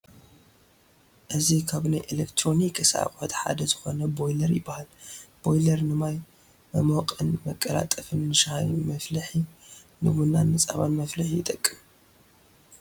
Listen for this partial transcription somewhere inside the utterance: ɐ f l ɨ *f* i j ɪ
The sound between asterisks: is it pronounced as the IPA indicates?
no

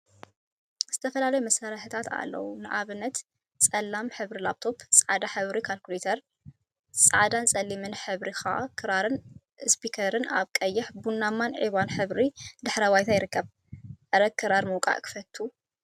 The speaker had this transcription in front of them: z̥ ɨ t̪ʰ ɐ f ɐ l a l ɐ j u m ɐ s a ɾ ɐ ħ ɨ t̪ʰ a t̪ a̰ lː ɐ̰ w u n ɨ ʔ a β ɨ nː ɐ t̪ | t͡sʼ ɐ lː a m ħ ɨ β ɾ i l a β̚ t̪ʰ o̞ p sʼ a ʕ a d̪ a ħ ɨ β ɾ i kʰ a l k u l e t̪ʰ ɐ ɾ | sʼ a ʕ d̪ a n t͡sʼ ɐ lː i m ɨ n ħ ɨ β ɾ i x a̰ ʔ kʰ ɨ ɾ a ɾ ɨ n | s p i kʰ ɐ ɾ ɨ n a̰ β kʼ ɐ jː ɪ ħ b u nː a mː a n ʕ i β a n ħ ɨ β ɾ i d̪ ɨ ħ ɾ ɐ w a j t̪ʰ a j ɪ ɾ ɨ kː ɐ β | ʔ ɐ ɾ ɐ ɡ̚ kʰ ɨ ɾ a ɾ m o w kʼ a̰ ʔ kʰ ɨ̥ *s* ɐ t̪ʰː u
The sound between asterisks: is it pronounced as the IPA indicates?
no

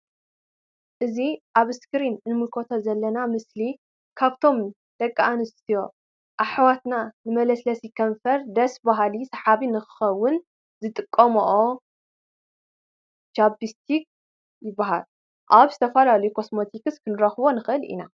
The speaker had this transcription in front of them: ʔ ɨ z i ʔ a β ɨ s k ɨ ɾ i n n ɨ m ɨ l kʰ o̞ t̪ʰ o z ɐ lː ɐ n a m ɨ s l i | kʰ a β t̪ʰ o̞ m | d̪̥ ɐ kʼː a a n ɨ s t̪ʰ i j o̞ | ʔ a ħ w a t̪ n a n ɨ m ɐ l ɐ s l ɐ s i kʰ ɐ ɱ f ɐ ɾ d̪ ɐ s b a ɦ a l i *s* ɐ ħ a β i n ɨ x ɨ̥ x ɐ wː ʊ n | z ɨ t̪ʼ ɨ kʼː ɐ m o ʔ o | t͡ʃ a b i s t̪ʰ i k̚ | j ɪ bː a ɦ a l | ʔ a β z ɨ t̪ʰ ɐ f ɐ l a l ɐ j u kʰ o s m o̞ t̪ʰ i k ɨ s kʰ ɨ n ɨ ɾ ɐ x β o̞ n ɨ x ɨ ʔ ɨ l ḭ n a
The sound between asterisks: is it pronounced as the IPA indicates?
yes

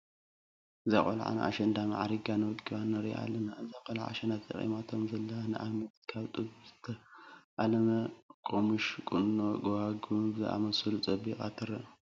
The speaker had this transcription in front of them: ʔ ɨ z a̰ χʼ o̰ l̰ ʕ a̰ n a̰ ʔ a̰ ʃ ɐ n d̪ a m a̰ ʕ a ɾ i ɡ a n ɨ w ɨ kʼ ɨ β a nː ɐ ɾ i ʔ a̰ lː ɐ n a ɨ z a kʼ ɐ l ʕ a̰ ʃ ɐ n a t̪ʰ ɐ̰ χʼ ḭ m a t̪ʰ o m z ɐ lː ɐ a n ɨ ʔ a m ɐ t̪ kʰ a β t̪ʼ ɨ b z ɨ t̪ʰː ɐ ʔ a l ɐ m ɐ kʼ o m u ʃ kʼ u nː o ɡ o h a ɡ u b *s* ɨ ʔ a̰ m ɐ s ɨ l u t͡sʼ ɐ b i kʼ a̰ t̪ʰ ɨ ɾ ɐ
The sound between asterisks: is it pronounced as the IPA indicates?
no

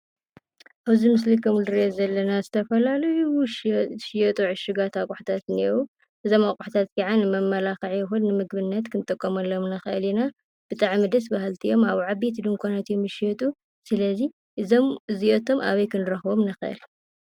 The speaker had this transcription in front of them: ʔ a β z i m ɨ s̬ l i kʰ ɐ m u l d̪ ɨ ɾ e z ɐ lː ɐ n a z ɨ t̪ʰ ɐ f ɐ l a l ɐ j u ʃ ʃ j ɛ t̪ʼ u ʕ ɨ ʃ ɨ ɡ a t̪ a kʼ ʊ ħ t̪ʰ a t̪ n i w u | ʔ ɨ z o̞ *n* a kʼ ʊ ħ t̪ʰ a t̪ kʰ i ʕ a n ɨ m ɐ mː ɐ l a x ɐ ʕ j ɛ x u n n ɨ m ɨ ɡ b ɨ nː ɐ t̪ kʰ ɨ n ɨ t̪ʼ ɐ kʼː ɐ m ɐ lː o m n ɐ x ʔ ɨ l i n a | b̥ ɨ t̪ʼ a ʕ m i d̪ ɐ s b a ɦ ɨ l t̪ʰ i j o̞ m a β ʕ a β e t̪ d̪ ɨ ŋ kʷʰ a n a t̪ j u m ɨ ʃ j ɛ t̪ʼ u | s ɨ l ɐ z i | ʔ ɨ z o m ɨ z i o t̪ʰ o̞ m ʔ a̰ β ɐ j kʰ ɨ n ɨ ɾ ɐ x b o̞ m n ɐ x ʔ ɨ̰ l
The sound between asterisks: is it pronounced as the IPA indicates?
no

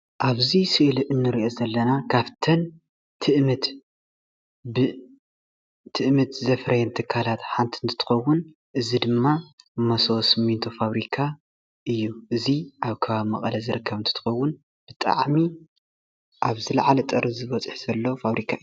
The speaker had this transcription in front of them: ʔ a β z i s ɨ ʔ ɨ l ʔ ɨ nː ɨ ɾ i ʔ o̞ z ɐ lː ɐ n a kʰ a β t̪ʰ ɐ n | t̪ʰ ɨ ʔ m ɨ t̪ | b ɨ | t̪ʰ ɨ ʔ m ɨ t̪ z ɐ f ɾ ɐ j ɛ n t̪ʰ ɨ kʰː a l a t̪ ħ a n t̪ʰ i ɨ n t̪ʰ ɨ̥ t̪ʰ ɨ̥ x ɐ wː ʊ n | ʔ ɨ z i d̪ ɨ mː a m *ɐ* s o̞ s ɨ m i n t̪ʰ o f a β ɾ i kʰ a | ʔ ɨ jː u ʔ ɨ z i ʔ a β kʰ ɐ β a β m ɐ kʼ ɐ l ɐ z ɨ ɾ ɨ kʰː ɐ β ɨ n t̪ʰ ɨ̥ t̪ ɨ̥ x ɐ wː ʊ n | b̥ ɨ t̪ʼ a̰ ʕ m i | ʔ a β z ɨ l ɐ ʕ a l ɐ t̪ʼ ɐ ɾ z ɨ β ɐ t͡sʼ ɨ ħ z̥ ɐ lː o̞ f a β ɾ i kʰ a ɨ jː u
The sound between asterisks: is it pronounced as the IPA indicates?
yes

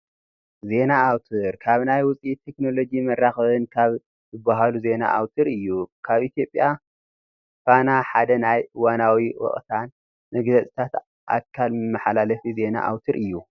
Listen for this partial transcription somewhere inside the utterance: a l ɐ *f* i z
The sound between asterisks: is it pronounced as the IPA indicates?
yes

